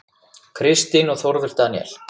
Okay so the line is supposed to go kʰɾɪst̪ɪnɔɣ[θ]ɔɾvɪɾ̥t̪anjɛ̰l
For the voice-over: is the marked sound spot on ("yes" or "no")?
yes